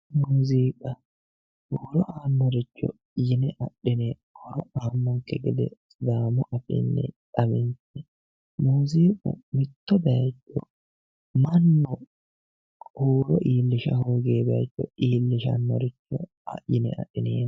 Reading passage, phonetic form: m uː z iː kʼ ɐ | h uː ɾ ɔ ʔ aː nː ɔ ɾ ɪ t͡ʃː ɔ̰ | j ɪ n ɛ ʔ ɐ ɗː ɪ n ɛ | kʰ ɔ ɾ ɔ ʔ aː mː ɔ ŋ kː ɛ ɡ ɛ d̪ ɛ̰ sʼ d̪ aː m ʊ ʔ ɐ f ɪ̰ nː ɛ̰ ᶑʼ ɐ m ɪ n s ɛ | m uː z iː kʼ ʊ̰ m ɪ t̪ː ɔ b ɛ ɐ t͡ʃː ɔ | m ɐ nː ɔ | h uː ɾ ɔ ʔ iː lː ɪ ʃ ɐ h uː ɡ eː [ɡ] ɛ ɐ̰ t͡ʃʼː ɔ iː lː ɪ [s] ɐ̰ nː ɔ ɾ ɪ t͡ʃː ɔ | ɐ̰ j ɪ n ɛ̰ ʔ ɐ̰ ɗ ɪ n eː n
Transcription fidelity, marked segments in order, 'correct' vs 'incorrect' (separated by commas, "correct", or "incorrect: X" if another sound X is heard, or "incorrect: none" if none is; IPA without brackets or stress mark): incorrect: b, incorrect: ʃ